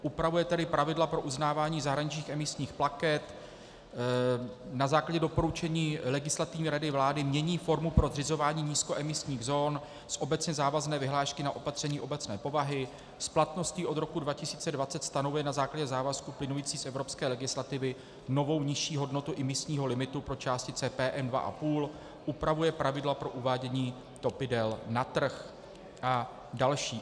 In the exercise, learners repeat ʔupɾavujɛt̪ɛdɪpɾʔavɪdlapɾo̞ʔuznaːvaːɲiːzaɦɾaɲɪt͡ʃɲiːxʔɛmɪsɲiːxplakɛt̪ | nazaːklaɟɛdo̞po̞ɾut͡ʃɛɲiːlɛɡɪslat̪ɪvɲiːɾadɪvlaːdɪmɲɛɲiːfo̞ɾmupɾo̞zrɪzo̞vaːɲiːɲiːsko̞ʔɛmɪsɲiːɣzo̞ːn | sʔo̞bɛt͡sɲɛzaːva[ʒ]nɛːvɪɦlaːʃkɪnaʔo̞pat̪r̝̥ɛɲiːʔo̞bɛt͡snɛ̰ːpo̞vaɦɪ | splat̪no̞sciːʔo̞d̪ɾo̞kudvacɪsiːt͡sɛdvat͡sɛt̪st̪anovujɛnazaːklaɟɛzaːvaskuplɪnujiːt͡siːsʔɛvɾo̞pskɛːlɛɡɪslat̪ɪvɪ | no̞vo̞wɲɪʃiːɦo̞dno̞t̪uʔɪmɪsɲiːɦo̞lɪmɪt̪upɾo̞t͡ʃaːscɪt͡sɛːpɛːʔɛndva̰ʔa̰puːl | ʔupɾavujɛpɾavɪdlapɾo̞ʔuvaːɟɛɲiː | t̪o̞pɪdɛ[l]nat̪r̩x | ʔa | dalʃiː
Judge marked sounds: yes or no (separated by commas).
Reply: no, yes